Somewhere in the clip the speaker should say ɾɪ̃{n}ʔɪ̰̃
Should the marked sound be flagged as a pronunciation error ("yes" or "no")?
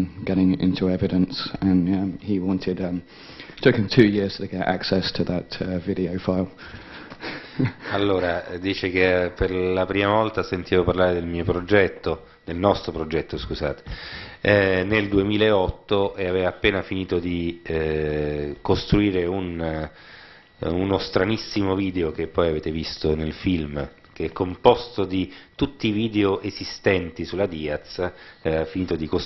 yes